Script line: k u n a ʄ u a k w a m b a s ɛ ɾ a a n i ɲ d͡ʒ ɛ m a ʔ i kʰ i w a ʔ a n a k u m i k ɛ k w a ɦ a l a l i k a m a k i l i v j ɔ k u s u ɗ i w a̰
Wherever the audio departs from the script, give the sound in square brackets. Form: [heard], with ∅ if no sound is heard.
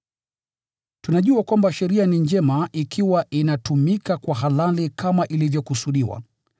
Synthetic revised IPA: [t] u n a ʄ u a k w a m b a [ʃ] ɛ ɾ [i] a n i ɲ d͡ʒ ɛ m a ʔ i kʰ i w a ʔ [i] n a [t] u m i k [a] k w a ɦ a l a l i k a m a [ʔ] i l i v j ɔ k u s u ɗ i w a̰